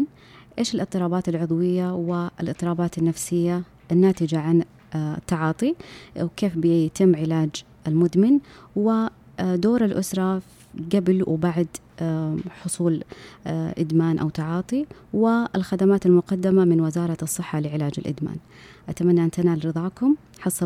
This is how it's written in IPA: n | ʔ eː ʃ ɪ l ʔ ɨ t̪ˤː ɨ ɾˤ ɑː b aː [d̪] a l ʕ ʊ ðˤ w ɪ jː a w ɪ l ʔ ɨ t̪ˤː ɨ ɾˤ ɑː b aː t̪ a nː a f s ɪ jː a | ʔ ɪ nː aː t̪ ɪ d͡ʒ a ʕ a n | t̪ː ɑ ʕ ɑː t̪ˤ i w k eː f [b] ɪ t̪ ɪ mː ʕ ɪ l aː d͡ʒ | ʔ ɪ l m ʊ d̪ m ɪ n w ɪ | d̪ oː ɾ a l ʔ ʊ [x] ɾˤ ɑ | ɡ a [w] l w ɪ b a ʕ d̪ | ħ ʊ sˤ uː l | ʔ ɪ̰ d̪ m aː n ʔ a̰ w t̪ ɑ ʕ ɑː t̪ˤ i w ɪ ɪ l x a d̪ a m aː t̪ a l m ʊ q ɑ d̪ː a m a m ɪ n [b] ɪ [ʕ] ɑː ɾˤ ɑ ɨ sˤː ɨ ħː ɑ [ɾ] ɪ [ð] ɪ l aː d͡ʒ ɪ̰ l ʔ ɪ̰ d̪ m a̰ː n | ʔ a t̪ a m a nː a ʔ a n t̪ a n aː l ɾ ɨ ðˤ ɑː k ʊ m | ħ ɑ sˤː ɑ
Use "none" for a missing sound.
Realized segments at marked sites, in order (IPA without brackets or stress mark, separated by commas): t̪, b, s, b, w, z, l, ʕ